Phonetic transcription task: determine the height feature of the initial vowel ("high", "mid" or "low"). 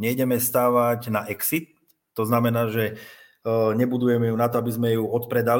mid